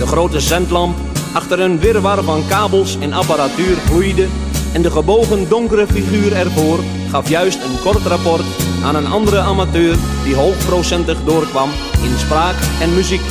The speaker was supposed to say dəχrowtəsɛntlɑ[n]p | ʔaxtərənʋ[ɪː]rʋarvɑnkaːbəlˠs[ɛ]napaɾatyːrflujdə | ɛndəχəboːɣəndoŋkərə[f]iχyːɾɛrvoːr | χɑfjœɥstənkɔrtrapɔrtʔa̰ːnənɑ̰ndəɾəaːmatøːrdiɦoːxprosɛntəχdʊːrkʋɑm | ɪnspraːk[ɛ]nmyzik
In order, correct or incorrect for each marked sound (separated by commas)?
incorrect, incorrect, correct, correct, correct